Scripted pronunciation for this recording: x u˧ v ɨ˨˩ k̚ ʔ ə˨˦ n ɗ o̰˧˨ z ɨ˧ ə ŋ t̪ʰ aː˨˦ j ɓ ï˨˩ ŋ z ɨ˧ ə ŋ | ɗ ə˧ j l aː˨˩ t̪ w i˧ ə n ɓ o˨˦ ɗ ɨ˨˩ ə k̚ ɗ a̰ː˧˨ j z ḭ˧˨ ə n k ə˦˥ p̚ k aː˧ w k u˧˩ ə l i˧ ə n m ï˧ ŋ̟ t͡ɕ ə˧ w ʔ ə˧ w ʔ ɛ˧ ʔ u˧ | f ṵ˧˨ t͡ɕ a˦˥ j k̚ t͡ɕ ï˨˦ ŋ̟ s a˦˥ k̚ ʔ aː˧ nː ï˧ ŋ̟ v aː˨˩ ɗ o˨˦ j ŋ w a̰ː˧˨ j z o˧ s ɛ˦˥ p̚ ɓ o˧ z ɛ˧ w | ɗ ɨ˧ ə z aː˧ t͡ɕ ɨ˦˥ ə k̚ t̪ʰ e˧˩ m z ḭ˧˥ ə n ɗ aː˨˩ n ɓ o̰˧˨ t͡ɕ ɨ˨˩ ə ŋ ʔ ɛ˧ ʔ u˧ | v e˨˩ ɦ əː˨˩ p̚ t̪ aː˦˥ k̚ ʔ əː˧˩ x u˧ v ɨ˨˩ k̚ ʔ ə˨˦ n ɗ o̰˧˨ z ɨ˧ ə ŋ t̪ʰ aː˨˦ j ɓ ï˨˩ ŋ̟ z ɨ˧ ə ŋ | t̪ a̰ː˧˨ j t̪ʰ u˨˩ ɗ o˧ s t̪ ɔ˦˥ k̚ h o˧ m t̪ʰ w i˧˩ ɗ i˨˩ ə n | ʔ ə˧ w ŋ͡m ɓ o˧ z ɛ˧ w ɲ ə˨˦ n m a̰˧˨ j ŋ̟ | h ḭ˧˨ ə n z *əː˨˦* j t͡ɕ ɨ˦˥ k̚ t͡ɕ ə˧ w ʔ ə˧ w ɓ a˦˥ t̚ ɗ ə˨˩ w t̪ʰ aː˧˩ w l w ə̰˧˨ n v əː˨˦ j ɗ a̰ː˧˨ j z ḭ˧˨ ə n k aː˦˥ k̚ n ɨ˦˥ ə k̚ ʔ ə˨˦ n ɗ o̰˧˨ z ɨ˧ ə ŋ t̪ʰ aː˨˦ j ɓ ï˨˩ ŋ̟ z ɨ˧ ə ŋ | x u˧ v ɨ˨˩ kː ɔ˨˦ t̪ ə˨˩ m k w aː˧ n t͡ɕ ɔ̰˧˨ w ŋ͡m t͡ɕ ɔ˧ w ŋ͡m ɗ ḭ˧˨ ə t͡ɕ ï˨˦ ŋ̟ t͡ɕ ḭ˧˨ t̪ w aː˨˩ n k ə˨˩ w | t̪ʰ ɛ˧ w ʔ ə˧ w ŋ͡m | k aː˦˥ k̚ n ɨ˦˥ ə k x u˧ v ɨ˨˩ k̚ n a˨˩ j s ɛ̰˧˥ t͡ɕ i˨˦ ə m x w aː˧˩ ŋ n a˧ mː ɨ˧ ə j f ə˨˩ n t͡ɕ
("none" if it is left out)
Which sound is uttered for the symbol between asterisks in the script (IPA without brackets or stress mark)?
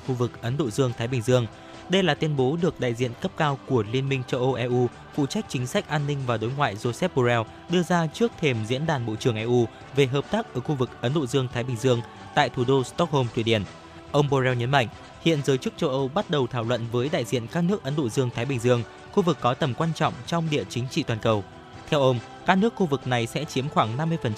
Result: əː˨˦